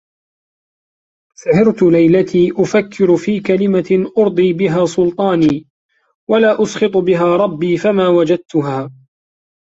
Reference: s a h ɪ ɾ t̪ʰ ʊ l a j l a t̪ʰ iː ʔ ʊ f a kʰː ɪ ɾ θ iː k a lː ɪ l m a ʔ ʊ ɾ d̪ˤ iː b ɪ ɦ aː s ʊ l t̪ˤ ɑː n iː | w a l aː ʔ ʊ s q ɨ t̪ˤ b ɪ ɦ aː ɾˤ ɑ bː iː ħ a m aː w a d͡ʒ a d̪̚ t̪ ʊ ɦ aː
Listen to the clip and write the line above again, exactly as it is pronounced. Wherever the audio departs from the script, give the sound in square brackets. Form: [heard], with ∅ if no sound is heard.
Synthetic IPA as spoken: s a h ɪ ɾ [t̪] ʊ l a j l a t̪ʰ iː ʔ ʊ f a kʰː ɪ ɾ [f] iː k a [l] ɪ [∅] m a ʔ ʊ ɾ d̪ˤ iː b ɪ ɦ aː s ʊ l t̪ˤ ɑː n iː | w a l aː ʔ ʊ s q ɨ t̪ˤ b ɪ ɦ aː ɾˤ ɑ bː iː [f] a m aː w a d͡ʒ a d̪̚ t̪ ʊ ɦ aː